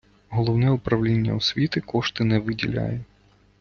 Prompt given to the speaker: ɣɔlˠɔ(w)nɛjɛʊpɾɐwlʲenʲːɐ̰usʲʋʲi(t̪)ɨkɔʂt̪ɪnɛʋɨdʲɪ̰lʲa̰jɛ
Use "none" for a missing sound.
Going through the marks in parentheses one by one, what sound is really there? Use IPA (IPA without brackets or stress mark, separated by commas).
w, t̪